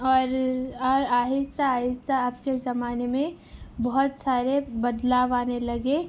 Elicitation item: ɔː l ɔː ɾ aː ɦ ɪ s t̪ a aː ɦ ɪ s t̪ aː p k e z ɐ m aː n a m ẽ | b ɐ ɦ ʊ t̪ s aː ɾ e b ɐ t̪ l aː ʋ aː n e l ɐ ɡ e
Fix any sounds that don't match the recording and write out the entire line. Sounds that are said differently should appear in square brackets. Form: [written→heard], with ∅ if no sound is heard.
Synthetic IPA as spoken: ɔː [l→ɾ] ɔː ɾ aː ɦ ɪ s t̪ a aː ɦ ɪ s t̪ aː p k e z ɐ m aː n [a→e] m ẽ | b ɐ ɦ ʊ t̪ s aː ɾ e b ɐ [t̪→d̪] l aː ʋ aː n e l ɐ ɡ e